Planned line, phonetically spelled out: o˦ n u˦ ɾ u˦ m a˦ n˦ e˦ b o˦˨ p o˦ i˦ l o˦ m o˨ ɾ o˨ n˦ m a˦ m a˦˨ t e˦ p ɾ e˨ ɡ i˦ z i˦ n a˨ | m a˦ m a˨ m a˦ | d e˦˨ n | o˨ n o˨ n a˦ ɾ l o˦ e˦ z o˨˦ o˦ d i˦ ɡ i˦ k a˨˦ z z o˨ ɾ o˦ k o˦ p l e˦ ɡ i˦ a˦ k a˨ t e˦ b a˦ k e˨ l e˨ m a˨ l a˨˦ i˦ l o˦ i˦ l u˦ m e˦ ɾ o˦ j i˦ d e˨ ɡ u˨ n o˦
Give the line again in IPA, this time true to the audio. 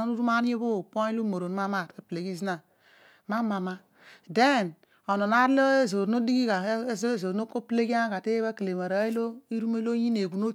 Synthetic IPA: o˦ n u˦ ɾ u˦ m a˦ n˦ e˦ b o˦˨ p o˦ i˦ l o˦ m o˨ ɾ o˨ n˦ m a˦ m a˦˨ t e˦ p l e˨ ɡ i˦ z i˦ n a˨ | m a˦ m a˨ m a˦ | d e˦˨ n | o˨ n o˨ n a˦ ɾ l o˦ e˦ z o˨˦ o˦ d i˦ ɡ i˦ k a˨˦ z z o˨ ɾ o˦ k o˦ p l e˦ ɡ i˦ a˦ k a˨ t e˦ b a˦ k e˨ l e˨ m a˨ ɾ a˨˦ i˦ l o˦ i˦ ɾ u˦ m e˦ l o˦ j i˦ n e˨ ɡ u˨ n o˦